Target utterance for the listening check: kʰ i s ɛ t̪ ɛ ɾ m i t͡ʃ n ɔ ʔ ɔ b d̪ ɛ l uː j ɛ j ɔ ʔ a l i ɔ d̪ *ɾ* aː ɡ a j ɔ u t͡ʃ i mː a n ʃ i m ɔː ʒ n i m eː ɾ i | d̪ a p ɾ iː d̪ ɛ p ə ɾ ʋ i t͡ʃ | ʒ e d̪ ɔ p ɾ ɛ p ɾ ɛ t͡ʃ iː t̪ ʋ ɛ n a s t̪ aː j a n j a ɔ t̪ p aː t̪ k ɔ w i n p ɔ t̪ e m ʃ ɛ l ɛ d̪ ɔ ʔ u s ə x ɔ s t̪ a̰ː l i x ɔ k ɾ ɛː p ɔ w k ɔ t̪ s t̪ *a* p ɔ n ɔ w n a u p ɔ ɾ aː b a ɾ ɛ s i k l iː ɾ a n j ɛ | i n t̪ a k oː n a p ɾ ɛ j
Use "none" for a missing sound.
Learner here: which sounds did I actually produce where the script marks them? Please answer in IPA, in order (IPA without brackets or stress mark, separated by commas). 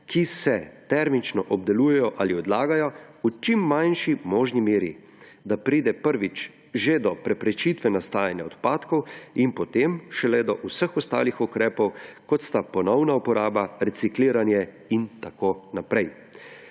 l, a